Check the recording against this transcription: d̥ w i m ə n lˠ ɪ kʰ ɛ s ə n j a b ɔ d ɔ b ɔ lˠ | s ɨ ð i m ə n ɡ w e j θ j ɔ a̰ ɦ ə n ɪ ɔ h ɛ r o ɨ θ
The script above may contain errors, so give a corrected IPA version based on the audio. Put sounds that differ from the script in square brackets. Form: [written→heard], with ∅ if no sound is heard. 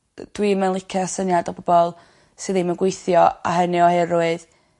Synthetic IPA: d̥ w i m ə n lˠ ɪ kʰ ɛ s ə n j a [b→d] ɔ [d→b] ɔ b ɔ lˠ | s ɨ ð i m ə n ɡ w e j θ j ɔ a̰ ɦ ə n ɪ ɔ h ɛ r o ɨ [θ→ð]